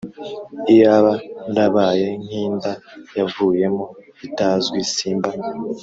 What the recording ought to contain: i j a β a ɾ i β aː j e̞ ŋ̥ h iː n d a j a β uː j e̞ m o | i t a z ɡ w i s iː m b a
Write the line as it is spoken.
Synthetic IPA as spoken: i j a β a ɾ a β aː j e̞ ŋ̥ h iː n d a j a v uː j e̞ m o | i t a z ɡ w i s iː m b a